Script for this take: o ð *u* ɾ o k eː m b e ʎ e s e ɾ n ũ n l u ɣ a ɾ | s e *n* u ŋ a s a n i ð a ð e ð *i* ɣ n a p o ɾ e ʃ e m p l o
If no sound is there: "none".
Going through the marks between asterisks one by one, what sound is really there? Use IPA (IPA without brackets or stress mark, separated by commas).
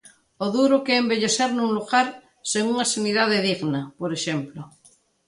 u, ŋ, i